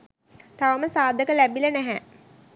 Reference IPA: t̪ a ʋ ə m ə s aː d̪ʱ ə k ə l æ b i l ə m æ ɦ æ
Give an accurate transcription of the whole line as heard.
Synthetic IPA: t̪ a ʋ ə m ə s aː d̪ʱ ə k ə l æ b i l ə n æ ɦ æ